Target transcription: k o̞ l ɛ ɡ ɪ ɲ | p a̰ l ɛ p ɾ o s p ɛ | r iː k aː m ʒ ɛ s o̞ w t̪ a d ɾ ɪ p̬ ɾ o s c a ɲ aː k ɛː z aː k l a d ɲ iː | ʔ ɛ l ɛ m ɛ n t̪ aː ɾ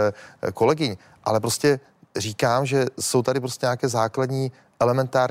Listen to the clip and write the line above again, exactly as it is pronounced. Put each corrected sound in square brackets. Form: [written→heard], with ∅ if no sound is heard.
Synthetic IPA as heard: k o̞ l ɛ ɡ ɪ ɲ | [p→ʔ] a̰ l ɛ p ɾ o s [p→c] ɛ | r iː k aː m ʒ ɛ s o̞ w t̪ a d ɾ ɪ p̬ ɾ o s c [a→ɛ] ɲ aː k ɛː z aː k l a d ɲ iː | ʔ ɛ l ɛ m ɛ n t̪ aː ɾ